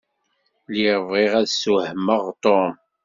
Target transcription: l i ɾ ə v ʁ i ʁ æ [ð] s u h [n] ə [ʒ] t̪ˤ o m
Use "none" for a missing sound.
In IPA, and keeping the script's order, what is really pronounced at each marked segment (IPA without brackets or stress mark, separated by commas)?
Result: ð, m, ʁ